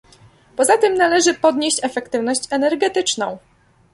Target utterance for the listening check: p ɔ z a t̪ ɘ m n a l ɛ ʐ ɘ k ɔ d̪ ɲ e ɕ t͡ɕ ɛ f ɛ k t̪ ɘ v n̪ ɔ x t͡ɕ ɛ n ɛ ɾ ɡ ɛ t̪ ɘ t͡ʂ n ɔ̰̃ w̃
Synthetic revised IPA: p ɔ z a t̪ ɘ m n a l ɛ ʐ ɘ p ɔ d̪ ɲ e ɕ t͡ɕ ɛ f ɛ k t̪ ɘ v n̪ ɔ ɕ t͡ɕ ɛ n ɛ ɾ ɡ ɛ t̪ ɘ t͡ʂ n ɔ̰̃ w̃